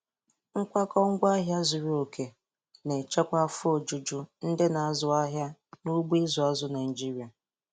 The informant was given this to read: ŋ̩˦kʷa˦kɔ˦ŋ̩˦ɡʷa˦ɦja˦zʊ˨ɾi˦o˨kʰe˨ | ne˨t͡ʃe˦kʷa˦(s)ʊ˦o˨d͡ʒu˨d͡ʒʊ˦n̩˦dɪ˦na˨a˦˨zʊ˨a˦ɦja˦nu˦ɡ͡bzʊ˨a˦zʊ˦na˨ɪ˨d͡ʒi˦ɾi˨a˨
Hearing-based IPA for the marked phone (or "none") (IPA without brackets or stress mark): f